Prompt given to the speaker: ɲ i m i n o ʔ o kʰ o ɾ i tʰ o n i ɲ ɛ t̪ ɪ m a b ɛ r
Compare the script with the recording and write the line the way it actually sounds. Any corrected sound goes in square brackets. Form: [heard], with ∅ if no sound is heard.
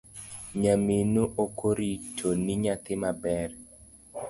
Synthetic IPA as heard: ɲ [a] m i n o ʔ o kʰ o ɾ i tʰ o n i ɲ [a] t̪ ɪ m a b ɛ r